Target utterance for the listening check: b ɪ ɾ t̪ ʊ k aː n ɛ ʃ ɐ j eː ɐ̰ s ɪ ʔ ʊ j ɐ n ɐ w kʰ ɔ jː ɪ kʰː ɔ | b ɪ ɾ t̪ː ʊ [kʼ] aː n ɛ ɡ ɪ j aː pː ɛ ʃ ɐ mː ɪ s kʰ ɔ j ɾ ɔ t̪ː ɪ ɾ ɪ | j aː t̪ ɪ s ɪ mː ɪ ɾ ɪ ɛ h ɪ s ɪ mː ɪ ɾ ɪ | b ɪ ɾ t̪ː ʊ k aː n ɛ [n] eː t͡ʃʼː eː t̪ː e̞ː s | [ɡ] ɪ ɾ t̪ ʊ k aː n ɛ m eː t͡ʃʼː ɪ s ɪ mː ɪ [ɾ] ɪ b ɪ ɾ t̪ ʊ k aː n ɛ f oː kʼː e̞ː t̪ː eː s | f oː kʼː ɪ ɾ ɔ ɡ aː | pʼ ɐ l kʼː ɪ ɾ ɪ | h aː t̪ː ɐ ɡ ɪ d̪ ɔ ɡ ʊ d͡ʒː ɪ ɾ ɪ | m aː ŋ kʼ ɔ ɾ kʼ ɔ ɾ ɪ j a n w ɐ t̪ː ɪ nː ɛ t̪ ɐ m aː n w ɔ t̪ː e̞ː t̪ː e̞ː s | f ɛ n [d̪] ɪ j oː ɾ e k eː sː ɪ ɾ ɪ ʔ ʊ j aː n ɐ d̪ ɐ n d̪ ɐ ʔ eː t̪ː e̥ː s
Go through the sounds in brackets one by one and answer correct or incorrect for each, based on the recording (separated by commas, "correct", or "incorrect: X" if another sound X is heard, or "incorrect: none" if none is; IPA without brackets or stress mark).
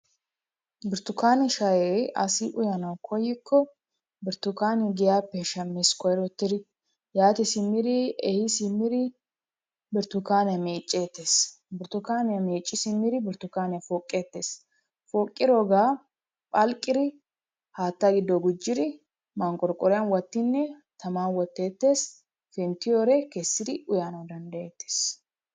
incorrect: k, incorrect: m, incorrect: b, correct, incorrect: t̪